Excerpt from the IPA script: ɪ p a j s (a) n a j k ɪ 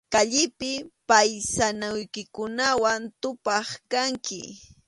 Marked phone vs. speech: correct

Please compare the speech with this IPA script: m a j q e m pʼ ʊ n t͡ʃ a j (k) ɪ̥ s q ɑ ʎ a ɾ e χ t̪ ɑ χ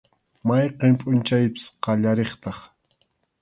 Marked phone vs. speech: incorrect: p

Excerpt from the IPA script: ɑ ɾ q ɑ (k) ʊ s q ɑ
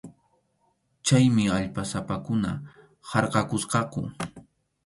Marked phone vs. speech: correct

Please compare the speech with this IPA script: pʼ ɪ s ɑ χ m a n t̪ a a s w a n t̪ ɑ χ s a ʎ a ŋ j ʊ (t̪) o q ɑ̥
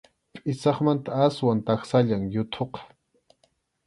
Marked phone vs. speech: incorrect: t̪ʰ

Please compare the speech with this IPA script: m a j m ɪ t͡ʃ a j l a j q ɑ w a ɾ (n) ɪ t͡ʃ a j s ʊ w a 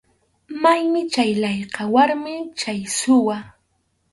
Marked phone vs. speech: incorrect: m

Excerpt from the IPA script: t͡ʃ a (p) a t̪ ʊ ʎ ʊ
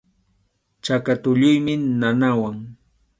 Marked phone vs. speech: incorrect: k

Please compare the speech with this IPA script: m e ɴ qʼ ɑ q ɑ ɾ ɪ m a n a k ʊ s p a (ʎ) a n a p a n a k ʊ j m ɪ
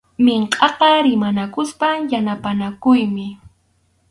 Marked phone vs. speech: incorrect: j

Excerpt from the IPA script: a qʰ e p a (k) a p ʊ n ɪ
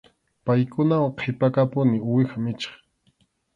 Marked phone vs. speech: correct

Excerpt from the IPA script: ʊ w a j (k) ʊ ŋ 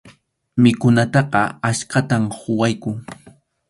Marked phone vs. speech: correct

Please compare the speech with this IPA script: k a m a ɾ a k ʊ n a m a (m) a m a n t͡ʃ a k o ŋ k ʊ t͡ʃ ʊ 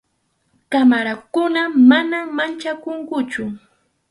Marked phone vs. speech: incorrect: n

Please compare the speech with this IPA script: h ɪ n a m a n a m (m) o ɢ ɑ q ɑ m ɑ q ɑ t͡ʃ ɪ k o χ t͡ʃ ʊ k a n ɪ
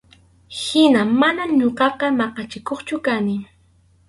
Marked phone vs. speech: incorrect: ɲ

